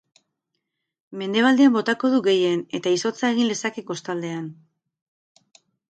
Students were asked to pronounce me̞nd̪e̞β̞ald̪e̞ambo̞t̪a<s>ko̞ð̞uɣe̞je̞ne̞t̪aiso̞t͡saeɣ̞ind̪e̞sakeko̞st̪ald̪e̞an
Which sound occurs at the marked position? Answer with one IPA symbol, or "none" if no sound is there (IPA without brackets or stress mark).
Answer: none